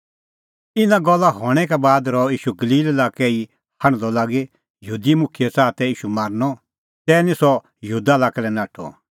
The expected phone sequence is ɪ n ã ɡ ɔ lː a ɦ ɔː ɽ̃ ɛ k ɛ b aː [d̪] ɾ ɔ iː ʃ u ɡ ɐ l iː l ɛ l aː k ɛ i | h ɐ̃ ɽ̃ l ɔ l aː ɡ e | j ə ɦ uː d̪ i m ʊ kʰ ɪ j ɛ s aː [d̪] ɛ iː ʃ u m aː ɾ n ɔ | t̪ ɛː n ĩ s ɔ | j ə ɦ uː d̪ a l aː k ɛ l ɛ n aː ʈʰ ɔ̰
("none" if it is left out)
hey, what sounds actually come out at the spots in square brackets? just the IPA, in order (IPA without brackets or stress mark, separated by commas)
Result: d̪, t̪